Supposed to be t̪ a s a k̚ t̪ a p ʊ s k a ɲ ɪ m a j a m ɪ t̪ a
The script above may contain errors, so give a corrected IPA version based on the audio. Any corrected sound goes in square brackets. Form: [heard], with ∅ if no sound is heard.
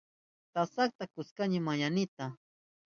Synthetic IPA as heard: t̪ a s a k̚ t̪ a [k] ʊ s k a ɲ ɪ m a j a [n] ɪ t̪ a